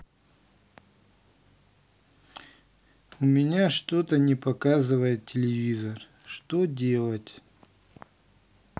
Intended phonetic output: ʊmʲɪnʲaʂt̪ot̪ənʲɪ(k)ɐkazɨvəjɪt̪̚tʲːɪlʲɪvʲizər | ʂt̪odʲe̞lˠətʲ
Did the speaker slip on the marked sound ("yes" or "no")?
yes